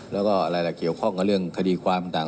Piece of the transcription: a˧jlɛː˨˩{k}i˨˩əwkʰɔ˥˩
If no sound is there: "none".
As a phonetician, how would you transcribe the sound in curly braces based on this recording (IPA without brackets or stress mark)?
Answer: k